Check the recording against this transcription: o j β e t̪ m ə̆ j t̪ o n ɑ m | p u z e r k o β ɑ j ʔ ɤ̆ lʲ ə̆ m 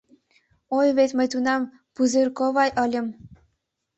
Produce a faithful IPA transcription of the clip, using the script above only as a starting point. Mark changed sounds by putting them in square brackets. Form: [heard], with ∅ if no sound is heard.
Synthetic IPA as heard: o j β e t̪ m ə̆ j t̪ [u] n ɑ m | p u z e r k o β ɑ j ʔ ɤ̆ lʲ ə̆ m